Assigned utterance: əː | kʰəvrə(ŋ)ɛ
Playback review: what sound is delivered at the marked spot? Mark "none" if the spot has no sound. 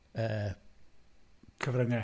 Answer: ŋ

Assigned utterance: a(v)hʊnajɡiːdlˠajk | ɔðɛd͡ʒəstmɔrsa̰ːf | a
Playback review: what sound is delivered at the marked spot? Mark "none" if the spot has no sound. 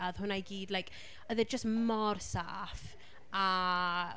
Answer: ð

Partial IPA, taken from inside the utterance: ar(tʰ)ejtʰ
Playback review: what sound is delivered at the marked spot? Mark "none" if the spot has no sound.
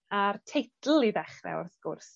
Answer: tʰ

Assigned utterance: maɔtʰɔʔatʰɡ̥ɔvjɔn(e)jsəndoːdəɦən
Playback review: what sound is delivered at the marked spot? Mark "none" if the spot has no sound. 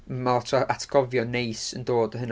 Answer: e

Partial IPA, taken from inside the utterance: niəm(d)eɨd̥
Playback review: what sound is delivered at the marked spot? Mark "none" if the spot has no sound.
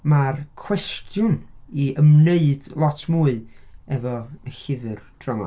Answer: n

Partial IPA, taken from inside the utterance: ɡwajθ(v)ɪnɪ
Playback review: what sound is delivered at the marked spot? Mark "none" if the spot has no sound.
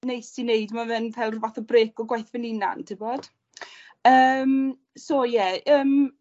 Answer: v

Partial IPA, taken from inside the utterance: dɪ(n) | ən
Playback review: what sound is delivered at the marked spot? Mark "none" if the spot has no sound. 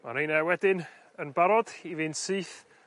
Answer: n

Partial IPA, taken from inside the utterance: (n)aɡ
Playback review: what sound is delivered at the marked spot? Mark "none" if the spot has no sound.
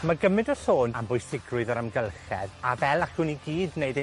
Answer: m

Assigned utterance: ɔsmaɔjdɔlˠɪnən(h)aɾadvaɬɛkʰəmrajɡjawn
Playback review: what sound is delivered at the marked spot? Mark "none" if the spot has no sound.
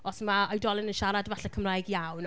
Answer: ʃ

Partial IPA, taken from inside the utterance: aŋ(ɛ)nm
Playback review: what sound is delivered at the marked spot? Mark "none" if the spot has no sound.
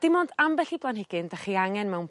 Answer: ɛ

